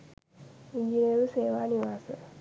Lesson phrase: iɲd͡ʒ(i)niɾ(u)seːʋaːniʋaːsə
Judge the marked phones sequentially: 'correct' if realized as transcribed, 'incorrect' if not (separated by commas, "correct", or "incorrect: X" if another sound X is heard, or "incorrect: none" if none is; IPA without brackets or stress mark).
correct, correct